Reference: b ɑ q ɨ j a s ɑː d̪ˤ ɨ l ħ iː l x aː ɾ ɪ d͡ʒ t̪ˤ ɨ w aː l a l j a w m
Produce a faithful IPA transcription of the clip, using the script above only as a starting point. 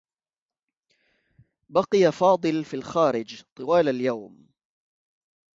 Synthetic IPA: b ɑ q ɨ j a f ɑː d̪ˤ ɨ l f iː l x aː ɾ ɪ d͡ʒ t̪ˤ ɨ w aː l a l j a w m